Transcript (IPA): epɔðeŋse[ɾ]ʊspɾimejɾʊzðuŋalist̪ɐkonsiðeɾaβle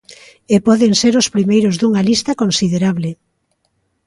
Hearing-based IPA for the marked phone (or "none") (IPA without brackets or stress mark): ɾ